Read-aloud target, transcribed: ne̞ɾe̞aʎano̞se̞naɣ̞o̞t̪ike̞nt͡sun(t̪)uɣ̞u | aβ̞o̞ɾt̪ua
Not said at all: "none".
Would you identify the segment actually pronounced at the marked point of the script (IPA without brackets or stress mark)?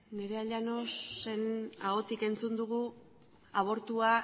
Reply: d̪